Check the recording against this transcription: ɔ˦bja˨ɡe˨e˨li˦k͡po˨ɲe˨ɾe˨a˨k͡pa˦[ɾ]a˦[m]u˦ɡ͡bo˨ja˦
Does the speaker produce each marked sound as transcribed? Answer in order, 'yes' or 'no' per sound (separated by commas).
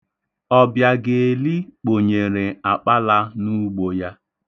no, no